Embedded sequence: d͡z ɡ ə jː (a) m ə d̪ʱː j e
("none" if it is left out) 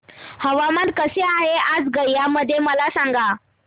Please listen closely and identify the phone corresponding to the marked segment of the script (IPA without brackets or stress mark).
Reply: a